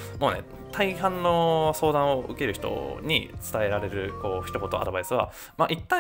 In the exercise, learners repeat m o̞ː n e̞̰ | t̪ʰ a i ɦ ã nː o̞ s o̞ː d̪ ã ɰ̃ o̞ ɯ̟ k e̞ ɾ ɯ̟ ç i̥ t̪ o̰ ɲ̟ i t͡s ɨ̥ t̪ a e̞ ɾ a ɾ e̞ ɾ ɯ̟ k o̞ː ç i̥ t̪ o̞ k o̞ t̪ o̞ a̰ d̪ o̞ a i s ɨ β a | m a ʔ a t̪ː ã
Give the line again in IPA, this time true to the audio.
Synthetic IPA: m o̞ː n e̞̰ | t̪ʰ a i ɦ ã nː o̞ s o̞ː d̪ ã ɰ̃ o̞ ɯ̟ k e̞ ɾ ɯ̟ ç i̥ t̪ o̰ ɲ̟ i t͡s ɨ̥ t̪ a e̞ ɾ a ɾ e̞ ɾ ɯ̟ k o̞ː ç i̥ t̪ o̞ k o̞ t̪ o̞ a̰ d̪ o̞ a i s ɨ β a | m a ʔ i t̪ː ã